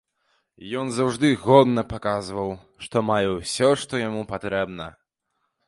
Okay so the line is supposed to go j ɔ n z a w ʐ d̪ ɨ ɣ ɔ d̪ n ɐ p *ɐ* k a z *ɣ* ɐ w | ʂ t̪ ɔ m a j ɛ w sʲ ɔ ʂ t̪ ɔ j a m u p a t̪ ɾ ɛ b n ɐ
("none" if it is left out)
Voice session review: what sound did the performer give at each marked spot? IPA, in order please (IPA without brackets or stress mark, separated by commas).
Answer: a, v